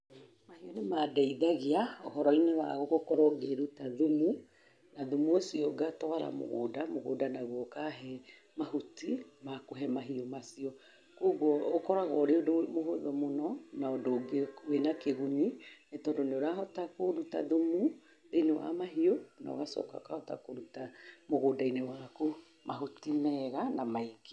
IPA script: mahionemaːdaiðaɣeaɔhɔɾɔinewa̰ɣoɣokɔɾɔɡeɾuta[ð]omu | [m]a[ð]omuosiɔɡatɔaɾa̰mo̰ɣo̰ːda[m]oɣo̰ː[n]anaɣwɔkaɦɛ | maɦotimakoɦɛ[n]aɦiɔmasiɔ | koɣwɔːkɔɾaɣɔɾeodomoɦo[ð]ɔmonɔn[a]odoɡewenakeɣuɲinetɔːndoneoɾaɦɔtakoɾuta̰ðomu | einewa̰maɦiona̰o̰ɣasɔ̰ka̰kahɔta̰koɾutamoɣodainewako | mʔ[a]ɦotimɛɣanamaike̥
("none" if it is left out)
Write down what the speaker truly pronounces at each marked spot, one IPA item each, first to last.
ð, n, ð, m, d, m, ð, a, a

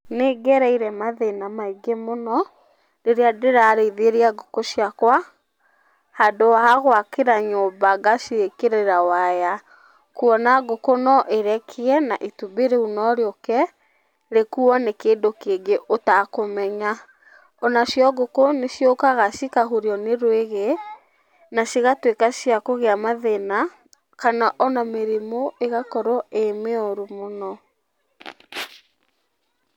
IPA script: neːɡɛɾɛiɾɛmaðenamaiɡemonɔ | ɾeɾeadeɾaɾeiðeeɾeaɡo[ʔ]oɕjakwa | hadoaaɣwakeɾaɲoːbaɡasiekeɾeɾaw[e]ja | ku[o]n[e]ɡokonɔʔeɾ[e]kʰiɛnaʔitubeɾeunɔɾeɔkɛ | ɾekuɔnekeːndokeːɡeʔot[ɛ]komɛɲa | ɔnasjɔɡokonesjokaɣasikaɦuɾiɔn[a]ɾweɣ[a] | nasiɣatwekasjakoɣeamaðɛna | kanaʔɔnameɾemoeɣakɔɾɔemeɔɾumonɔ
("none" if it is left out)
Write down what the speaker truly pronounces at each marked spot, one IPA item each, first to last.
k, a, ɔ, a, ɛ, a, e, e

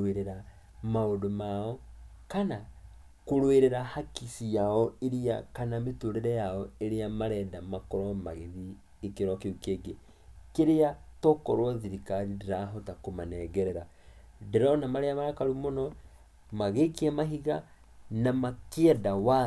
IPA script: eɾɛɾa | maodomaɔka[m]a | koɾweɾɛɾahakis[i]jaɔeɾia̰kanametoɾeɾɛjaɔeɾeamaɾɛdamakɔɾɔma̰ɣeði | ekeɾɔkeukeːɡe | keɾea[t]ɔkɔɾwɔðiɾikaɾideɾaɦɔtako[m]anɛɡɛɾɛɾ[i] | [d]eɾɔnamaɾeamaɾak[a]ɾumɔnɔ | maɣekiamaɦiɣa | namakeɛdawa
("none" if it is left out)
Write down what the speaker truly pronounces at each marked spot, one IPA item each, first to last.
n, i, t, m, a, d, a

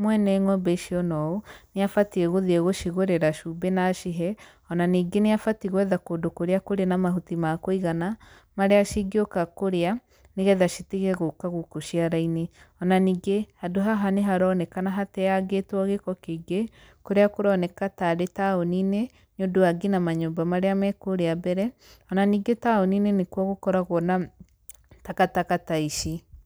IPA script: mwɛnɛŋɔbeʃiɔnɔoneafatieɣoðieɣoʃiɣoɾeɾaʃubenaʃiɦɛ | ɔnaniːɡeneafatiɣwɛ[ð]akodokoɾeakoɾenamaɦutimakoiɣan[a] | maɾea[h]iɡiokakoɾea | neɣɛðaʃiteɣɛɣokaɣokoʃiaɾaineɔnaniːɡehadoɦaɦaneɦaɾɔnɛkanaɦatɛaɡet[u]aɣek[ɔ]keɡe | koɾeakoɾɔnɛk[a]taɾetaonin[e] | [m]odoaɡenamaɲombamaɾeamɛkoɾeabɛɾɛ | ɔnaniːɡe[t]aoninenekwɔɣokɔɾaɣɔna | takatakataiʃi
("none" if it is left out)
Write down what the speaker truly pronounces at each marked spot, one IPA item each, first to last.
ð, a, ʃ, w, ɔ, a, e, ɲ, t

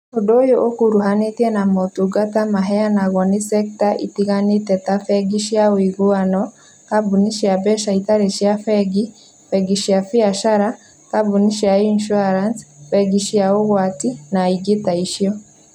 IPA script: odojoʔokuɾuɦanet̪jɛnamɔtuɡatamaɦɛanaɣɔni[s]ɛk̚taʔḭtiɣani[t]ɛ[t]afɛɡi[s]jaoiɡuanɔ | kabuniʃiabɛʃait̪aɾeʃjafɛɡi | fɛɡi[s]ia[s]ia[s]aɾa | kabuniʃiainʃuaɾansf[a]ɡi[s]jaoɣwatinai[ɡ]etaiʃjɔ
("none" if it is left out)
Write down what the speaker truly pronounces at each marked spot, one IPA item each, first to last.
s, t, t, ʃ, ʃ, f, ʃ, ɛ, ʃ, ɡ

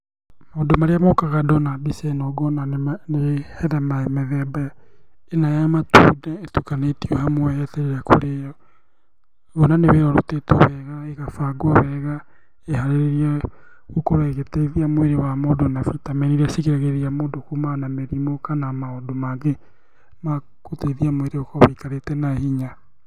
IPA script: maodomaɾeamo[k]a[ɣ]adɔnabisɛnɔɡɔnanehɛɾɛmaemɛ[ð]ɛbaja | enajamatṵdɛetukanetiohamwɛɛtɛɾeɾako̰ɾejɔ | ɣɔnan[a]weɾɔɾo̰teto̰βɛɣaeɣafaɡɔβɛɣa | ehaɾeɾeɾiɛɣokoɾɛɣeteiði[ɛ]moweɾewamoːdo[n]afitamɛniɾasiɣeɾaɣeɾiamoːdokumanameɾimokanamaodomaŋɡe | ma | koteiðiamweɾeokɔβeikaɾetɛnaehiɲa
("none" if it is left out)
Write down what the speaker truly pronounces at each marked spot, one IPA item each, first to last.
k, ɣ, ð, e, a, n

